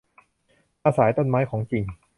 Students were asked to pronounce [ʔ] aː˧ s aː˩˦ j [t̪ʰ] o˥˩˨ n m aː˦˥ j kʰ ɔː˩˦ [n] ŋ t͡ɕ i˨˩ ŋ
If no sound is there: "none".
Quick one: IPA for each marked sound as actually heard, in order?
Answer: ʔ, t̪, none

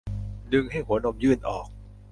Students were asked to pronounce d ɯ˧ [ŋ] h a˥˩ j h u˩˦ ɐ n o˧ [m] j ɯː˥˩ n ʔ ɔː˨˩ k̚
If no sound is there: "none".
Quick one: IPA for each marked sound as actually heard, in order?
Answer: ŋ, m

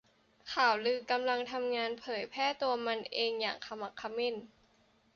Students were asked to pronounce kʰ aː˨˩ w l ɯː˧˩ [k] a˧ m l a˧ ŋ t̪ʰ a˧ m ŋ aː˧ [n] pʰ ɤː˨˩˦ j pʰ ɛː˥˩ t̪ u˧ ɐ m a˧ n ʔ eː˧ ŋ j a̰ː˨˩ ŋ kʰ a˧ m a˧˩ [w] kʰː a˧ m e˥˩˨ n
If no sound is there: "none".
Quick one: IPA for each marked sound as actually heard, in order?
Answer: k, n, none

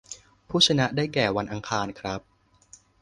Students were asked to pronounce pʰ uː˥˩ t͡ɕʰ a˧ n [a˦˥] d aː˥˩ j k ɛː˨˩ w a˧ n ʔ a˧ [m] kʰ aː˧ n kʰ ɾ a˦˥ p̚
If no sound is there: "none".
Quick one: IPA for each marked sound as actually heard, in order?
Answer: a˦˥, ŋ

